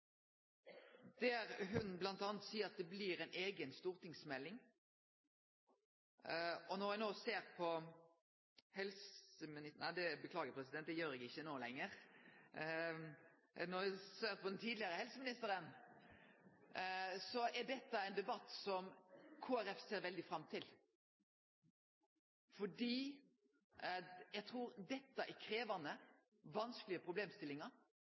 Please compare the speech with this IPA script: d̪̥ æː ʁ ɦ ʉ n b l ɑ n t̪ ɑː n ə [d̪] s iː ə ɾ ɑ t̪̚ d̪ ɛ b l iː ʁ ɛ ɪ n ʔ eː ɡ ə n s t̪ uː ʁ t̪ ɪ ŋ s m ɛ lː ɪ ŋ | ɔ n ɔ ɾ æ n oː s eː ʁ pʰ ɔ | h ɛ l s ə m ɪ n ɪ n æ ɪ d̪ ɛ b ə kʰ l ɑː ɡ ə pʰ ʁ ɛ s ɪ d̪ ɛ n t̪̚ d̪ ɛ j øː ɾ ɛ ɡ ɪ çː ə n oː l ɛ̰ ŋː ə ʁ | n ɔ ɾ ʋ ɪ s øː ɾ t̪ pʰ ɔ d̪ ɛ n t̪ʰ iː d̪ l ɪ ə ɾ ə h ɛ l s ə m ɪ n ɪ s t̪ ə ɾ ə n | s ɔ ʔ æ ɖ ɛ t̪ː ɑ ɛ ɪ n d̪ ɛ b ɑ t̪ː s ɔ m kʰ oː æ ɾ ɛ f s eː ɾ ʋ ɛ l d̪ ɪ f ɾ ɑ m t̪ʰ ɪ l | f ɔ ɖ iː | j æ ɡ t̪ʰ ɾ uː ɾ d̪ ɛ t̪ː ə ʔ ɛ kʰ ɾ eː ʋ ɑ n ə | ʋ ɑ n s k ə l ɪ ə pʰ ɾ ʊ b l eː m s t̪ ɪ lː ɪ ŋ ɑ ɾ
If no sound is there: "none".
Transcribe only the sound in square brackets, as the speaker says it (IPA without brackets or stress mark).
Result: t̪